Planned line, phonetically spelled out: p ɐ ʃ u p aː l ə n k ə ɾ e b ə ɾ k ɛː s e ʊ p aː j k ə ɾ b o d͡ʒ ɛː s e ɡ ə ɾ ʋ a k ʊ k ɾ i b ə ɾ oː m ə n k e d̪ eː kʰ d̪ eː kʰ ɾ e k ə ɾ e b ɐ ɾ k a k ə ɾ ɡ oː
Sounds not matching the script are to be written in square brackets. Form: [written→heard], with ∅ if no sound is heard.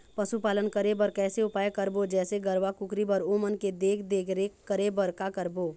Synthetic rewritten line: p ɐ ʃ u p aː l ə n k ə ɾ e b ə ɾ k ɛː s e ʊ p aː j k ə ɾ b o d͡ʒ ɛː s e ɡ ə ɾ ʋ a k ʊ k ɾ i b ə ɾ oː m ə n k e d̪ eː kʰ d̪ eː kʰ ɾ e k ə ɾ e b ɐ ɾ k a k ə ɾ [ɡ→b] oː